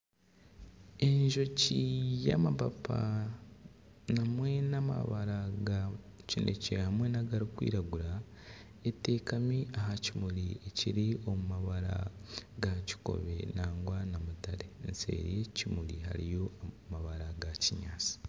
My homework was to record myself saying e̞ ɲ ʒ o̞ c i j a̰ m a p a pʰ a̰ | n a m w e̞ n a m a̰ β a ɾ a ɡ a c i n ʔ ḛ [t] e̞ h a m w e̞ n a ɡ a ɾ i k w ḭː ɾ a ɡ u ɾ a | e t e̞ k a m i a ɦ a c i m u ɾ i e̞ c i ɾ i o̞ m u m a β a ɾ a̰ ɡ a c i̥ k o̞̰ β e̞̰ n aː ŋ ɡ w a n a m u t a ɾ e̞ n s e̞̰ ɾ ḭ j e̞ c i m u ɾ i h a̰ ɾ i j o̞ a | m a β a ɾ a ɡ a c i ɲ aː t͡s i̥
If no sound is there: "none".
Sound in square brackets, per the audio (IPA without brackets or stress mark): c